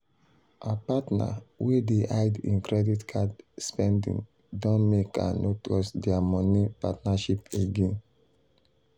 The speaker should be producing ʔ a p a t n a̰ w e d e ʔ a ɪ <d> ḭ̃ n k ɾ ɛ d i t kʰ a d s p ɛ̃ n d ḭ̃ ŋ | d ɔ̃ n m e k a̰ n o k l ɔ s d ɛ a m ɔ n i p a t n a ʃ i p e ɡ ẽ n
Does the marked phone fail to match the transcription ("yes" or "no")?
no